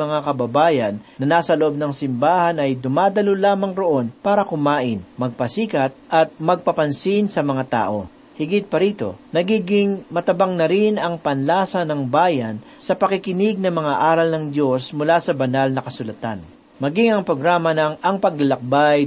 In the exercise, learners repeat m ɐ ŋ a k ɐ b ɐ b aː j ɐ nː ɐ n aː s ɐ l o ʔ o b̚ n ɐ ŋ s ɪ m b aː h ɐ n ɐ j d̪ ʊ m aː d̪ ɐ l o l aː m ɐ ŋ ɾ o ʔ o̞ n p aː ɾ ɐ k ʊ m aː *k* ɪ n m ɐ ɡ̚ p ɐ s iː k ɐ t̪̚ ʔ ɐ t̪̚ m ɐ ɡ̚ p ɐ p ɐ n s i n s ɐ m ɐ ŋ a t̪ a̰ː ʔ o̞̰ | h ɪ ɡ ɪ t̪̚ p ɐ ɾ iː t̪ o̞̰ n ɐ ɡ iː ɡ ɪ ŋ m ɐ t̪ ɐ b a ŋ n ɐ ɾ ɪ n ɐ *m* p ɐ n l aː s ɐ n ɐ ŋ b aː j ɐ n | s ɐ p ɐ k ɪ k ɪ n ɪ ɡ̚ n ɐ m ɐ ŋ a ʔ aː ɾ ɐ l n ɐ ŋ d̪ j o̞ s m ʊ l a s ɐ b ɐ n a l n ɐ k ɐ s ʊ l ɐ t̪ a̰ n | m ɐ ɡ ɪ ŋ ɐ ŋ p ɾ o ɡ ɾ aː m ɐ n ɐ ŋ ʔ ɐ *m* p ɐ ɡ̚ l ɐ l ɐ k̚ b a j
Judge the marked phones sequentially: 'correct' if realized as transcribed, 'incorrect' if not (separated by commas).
incorrect, incorrect, incorrect